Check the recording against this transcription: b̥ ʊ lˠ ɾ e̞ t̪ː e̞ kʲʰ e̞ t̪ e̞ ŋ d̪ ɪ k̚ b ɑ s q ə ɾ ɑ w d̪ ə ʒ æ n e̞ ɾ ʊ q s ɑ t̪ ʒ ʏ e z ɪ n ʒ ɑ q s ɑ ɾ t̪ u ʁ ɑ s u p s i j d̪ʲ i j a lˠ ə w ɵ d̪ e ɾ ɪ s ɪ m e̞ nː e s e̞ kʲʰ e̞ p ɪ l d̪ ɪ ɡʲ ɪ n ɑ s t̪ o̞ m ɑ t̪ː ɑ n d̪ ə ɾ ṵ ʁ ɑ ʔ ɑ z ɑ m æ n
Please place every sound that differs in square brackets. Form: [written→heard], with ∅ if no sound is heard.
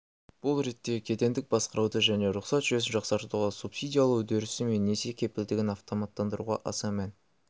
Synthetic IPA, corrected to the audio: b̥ ʊ lˠ ɾ e̞ t̪ː e̞ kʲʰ e̞ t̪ e̞ [ŋ→n] d̪ ɪ k̚ b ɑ s q ə ɾ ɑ w d̪ ə ʒ æ n e̞ ɾ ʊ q s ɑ t̪ ʒ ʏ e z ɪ n ʒ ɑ q s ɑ ɾ t̪ u ʁ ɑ s u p s i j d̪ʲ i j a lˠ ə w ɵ d̪ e ɾ ɪ s ɪ m e̞ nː e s e̞ kʲʰ e̞ p ɪ l d̪ ɪ ɡʲ ɪ n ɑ [s→f] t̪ o̞ m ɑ t̪ː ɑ n d̪ ə ɾ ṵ ʁ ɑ ʔ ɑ [z→s] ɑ m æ n